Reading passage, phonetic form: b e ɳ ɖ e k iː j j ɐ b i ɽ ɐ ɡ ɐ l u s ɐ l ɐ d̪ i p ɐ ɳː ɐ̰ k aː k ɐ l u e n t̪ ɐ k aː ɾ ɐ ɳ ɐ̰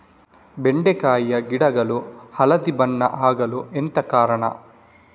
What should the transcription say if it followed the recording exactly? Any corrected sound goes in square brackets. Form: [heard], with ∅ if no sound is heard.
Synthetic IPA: b e ɳ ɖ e k [aː] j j ɐ [ɡ] i ɽ ɐ ɡ ɐ l u [h] ɐ l ɐ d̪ i [b] ɐ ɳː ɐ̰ [ʔ] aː [ɡ] ɐ l u e n t̪ ɐ k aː ɾ ɐ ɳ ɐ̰